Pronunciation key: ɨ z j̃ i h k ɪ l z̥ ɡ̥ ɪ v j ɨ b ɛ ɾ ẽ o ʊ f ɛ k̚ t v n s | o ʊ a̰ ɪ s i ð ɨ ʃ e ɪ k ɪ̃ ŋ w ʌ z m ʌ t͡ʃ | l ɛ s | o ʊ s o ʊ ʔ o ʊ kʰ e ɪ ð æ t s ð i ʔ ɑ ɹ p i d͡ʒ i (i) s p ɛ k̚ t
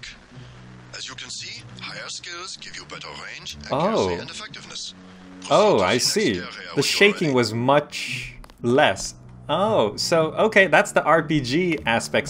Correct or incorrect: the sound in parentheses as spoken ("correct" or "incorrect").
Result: incorrect